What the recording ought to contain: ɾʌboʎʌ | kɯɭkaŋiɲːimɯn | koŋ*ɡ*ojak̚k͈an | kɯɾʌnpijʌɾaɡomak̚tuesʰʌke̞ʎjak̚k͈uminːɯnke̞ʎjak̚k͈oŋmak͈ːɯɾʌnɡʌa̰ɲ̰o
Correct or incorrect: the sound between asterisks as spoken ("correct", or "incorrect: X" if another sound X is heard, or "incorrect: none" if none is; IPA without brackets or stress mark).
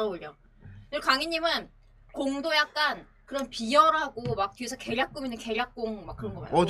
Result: incorrect: d